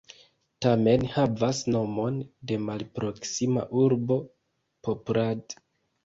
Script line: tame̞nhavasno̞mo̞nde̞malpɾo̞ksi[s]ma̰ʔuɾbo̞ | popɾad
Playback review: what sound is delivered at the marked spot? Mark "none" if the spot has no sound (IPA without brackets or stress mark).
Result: none